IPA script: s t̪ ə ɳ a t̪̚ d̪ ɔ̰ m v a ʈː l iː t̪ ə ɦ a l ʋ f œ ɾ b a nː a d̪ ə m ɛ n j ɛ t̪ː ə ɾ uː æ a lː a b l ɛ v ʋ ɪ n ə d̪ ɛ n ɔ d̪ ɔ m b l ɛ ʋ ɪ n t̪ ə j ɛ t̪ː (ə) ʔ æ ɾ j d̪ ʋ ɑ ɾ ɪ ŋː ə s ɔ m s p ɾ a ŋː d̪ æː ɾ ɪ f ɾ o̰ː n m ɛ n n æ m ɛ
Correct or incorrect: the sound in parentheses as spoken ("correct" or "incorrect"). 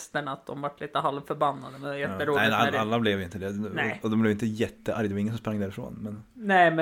correct